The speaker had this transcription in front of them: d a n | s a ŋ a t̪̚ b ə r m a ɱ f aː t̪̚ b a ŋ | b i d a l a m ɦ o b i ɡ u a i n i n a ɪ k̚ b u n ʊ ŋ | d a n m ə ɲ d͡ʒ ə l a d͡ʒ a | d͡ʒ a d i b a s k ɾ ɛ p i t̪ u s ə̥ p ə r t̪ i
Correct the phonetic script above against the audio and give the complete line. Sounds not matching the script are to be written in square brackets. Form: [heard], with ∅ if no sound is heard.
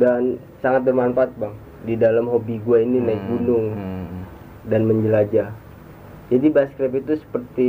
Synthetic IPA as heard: d a n | s a ŋ a t̪̚ b ə r m a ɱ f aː t̪̚ b a ŋ | [d] i d a l a m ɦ o b i ɡ u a i n i n a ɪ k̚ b u n ʊ ŋ | d a n m ə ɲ d͡ʒ ə l a d͡ʒ a | d͡ʒ a d i b a s k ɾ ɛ p i t̪ u s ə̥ p ə r t̪ i